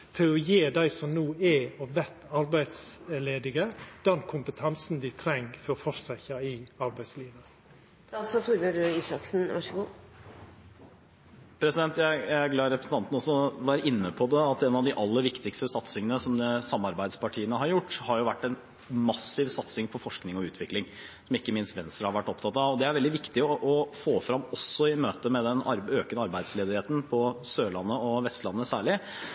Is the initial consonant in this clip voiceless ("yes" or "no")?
yes